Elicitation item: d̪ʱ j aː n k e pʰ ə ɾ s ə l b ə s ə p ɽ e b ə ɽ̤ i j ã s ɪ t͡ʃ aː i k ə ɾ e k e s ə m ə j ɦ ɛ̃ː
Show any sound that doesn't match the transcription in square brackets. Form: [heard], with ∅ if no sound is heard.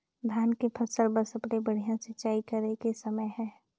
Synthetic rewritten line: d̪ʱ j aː n k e pʰ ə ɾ s ə l b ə s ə p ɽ e b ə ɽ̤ i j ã s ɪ t͡ʃ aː i k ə ɾ e k e s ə m ə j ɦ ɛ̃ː